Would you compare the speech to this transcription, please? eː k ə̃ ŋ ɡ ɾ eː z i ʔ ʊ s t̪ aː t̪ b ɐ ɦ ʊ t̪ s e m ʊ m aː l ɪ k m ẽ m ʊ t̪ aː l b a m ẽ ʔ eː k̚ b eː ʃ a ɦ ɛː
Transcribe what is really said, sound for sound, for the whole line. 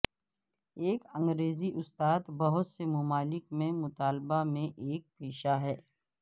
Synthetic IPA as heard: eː k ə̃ ŋ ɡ ɾ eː z i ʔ ʊ s t̪ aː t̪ b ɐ ɦ ʊ t̪ s e m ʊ m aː l ɪ k m ẽ m ʊ t̪ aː l b a m ẽ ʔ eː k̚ p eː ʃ a ɦ ɛː